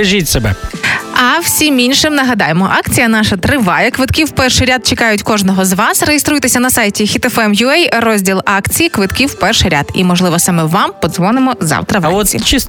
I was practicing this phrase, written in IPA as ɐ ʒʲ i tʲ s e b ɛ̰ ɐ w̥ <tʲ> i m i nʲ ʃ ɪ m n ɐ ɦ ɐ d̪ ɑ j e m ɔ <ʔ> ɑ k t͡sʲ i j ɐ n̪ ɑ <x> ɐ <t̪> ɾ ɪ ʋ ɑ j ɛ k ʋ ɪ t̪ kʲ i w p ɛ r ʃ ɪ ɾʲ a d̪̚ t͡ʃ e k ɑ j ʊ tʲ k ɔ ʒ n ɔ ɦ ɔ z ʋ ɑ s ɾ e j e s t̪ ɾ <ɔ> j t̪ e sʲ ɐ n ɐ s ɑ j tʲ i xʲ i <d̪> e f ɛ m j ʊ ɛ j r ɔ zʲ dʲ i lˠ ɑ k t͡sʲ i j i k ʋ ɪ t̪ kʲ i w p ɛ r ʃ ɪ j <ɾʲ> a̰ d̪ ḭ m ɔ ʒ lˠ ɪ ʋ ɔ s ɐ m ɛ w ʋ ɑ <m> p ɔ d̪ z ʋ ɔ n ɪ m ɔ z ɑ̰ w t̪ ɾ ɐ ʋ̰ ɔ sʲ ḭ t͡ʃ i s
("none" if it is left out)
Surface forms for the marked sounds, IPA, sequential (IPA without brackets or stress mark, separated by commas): sʲ, ʔ, ʃ, t̪, u, t̪, ɾʲ, m